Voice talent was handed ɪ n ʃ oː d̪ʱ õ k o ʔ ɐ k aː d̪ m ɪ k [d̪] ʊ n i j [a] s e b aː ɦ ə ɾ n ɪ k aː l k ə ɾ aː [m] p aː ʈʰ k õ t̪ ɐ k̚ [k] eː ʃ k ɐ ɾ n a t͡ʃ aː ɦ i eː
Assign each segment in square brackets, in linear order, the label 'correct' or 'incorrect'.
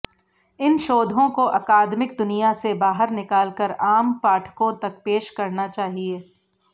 correct, correct, correct, incorrect

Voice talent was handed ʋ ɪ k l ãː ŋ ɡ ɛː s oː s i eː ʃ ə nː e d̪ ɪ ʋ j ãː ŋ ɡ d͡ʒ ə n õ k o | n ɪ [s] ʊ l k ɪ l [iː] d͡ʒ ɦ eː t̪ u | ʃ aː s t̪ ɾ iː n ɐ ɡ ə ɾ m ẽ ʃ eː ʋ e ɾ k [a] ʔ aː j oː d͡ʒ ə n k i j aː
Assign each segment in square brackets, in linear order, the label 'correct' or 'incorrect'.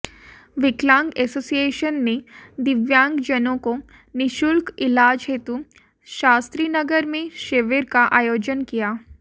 incorrect, incorrect, correct

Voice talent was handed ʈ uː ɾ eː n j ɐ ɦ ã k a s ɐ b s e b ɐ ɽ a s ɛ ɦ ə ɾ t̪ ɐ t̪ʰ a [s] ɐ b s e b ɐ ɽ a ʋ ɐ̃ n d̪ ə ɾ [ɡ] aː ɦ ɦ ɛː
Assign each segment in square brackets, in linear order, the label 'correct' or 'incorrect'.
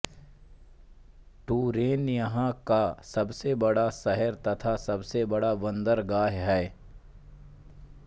correct, correct

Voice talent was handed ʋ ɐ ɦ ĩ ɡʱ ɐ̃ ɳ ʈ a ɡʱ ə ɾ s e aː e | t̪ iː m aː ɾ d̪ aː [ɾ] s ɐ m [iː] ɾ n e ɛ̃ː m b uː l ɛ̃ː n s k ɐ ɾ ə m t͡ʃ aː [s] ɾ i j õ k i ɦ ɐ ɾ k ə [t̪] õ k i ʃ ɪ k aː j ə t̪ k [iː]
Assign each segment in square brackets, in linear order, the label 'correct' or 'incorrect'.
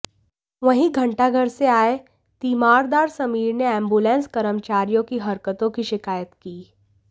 correct, correct, incorrect, correct, correct

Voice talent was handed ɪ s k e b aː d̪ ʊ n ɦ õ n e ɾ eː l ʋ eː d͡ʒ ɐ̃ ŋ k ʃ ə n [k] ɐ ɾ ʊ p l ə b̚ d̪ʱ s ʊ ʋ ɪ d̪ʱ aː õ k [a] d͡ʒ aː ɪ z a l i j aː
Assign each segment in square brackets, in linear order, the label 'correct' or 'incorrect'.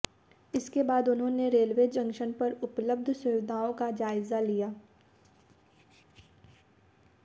incorrect, correct

